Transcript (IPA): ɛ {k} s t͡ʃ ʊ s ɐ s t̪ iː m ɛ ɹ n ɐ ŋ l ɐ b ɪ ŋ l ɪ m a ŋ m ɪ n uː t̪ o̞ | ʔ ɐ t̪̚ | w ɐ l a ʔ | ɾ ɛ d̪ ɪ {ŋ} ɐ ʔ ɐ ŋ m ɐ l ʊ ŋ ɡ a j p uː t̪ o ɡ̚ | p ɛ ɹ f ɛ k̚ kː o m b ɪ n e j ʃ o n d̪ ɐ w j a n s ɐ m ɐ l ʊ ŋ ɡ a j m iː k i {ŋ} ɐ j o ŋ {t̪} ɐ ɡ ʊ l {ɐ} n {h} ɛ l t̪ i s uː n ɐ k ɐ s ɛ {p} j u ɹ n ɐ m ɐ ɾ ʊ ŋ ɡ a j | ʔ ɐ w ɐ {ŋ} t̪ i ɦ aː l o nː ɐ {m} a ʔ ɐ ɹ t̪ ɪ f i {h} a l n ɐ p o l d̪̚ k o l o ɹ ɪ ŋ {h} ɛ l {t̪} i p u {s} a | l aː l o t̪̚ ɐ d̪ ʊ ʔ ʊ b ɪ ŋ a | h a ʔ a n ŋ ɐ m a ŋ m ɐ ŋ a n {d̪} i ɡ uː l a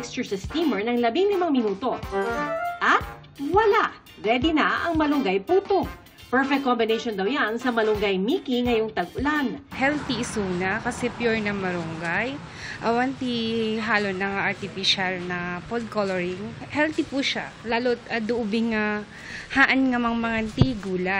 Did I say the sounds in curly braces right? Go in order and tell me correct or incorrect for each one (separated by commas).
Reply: correct, incorrect, correct, correct, incorrect, correct, correct, incorrect, incorrect, incorrect, correct, correct, incorrect, incorrect